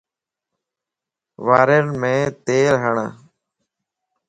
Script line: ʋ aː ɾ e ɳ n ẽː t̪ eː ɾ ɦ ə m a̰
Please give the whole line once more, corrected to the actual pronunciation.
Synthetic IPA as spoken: ʋ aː ɾ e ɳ m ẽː t̪ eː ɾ ɦ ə ɳ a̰